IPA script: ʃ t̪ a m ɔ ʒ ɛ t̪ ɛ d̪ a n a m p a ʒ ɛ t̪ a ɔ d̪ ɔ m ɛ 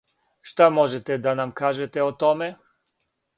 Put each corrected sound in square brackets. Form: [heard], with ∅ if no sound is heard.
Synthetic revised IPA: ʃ t̪ a m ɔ ʒ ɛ t̪ ɛ d̪ a n a m [k] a ʒ ɛ t̪ [ɛ] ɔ [t̪] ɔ m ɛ